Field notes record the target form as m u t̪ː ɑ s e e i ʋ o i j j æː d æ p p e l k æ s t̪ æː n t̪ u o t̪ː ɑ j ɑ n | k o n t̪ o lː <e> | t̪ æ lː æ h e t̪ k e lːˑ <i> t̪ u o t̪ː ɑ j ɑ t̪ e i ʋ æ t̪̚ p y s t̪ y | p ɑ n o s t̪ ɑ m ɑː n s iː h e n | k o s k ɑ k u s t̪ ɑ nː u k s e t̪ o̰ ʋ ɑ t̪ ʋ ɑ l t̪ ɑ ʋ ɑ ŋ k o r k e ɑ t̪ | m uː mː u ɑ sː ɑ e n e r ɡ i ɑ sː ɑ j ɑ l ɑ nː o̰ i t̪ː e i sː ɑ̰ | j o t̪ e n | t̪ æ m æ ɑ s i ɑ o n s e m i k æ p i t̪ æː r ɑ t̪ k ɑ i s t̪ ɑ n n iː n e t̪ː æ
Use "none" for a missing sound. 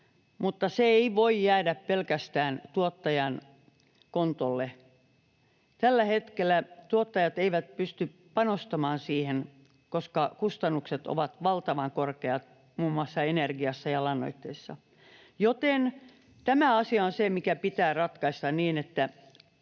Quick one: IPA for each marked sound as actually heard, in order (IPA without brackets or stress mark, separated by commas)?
e, æ